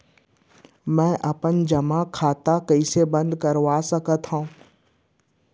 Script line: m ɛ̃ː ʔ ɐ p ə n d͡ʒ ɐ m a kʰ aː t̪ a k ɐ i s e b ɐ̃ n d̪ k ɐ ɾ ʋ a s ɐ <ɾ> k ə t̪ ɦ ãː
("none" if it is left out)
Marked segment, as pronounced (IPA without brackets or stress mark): none